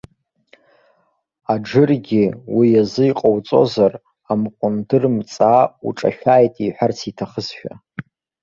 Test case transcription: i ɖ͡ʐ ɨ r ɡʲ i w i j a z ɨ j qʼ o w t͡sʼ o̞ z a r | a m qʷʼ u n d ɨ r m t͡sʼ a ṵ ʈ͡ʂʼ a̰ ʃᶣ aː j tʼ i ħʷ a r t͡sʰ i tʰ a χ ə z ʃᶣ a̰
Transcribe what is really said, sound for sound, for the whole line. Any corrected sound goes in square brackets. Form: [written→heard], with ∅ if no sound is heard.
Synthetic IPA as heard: [i→a] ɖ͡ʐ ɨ r ɡʲ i w i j a z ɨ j qʼ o w t͡sʼ o̞ z a r | a m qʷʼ [u→ʊ] n d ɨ r m t͡sʼ a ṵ ʈ͡ʂʼ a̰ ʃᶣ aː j tʼ i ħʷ a r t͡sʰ i tʰ a χ ə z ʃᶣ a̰